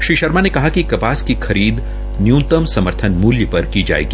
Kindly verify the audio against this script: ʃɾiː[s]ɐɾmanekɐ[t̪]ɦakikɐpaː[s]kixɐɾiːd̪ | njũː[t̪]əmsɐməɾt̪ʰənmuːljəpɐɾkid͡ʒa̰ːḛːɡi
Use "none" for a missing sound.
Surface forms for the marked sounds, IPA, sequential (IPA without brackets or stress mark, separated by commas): ʃ, none, s, t̪